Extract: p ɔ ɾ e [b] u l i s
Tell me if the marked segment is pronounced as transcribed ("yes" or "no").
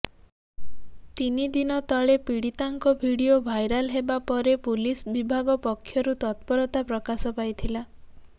no